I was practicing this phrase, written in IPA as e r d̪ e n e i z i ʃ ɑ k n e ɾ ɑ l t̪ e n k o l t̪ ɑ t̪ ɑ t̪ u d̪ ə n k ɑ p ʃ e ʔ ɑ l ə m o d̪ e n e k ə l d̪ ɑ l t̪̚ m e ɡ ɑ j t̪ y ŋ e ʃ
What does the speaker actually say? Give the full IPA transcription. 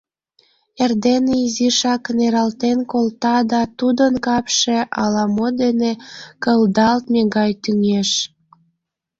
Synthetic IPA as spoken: e r d̪ e n e i z i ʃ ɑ k n e ɾ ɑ l t̪ e n k o l t̪ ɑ d̪ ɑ t̪ u d̪ ə n k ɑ p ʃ e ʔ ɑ l ɑ m o d̪ e n e k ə l d̪ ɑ l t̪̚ m e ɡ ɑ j t̪ y ŋ e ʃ